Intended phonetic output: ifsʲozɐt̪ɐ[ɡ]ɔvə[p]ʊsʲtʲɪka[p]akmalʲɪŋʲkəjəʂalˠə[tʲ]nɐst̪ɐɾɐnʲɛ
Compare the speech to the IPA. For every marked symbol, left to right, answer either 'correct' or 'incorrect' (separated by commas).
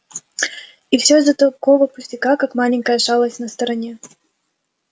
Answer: incorrect, correct, incorrect, incorrect